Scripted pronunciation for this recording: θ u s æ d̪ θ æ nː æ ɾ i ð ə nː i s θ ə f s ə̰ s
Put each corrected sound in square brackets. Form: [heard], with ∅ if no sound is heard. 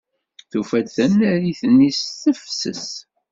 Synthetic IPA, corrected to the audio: θ u [f] æ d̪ θ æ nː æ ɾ i [θ] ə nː i s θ ə f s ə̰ s